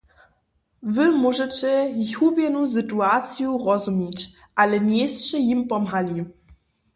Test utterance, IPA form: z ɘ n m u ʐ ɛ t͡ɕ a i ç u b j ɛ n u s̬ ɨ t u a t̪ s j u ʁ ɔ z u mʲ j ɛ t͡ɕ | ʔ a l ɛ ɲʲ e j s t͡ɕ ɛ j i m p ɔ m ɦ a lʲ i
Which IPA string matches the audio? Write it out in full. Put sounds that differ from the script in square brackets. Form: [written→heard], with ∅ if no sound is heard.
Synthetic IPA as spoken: [z→v] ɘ [n→∅] m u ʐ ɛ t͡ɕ [a→ɛ] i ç u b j ɛ n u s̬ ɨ t u a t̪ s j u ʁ ɔ z u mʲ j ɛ t͡ɕ | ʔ a l ɛ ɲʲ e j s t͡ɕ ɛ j i m p ɔ m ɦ a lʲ i